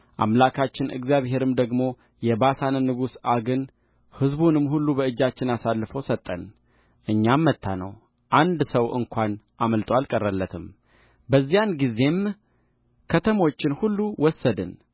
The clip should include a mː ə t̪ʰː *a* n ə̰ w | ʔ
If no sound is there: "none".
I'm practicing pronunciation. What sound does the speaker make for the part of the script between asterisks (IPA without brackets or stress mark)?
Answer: a